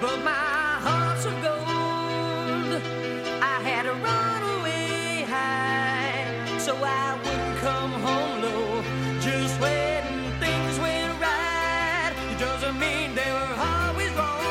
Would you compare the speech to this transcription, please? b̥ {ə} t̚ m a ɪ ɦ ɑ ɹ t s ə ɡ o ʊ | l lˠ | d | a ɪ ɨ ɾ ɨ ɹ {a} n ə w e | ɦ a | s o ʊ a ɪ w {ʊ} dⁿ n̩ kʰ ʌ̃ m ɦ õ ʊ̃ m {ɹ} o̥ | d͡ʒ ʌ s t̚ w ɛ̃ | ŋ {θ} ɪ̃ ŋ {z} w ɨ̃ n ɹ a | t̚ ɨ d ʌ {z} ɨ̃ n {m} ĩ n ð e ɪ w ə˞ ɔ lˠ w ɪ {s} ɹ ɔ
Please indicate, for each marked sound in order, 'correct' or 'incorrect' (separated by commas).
incorrect, incorrect, correct, incorrect, correct, correct, correct, correct, incorrect